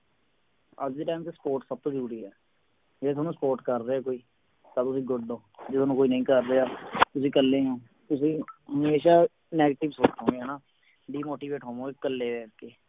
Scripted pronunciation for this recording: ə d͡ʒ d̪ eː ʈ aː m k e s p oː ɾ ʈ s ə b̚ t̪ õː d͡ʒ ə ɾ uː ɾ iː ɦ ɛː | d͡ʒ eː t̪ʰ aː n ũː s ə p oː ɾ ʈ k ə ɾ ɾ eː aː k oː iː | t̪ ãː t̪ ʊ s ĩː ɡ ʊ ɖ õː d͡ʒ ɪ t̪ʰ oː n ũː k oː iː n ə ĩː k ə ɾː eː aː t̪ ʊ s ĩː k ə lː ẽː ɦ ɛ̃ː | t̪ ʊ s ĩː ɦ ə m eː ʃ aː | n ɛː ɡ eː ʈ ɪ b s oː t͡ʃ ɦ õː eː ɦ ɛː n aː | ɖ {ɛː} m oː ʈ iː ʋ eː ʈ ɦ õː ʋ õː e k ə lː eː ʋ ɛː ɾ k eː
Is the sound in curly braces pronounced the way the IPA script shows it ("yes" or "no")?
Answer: no